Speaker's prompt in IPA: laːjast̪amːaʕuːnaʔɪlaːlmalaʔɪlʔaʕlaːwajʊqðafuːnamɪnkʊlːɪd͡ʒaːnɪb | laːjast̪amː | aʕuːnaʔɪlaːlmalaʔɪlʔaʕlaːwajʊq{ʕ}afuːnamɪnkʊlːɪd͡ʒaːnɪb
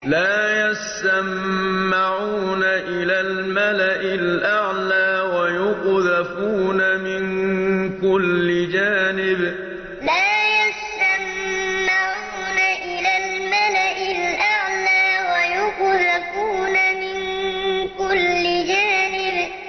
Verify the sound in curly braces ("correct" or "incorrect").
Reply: incorrect